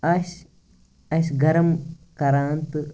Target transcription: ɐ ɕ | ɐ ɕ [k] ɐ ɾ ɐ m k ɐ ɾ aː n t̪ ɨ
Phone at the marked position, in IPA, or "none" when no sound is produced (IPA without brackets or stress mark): ɡ